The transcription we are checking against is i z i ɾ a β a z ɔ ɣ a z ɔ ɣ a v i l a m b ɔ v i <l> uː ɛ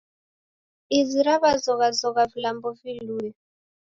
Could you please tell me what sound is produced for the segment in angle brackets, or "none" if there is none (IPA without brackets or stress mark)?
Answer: l